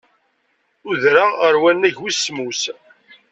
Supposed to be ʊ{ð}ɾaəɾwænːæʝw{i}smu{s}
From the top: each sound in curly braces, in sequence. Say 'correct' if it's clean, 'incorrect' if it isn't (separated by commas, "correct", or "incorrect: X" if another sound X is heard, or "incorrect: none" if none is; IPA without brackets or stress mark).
correct, correct, correct